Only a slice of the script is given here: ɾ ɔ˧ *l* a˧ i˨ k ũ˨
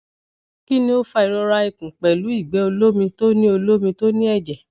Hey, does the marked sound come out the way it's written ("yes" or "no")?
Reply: no